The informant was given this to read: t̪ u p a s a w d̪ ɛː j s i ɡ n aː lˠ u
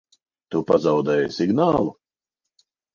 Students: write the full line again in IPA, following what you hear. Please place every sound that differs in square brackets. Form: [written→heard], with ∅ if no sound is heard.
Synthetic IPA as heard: t̪ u p a [s→z] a w d̪ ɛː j s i ɡ n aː lˠ u